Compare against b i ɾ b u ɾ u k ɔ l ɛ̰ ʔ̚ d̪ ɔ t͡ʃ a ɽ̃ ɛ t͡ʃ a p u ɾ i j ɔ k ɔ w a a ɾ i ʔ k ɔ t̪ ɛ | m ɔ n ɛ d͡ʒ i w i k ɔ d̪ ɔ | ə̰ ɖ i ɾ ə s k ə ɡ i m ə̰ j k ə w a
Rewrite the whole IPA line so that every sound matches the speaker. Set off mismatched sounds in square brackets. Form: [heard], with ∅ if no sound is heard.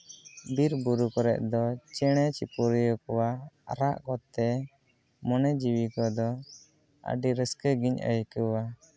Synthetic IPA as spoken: b i ɾ b u ɾ u k ɔ [ɾ] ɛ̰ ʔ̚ d̪ ɔ t͡ʃ [ɛ] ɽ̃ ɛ t͡ʃ [i] p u ɾ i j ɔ k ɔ w a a ɾ [a] ʔ k ɔ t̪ ɛ | m ɔ n ɛ d͡ʒ i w i k ɔ d̪ ɔ | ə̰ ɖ i ɾ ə s k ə ɡ i [ɲ] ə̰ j k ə w a